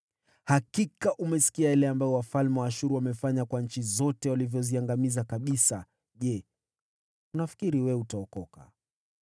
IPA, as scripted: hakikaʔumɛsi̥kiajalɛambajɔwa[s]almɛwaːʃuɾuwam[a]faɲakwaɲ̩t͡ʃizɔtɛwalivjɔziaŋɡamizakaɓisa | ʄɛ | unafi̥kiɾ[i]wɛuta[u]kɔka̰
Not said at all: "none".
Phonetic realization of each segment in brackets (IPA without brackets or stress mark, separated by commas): f, ɛ, i, ɔ